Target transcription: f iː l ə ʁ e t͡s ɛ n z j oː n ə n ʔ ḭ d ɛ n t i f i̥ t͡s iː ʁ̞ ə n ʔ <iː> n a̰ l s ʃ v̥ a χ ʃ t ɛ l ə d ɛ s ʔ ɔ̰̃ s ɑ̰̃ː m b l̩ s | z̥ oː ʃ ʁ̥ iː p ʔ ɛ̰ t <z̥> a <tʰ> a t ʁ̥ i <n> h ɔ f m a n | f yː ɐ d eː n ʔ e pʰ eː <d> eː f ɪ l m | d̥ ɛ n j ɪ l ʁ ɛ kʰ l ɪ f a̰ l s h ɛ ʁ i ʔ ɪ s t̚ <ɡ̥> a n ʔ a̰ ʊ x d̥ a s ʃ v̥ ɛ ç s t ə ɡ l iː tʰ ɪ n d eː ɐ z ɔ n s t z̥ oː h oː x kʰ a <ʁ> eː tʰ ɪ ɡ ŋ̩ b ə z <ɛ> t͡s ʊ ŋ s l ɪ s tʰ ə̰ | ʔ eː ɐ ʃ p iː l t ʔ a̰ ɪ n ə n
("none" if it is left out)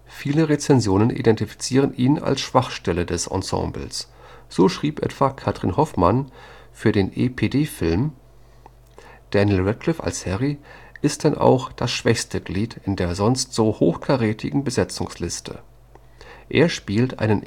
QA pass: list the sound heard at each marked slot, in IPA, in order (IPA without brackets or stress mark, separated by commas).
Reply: iː, v̥, kʰ, n, d, d̥, ʁ, ɛ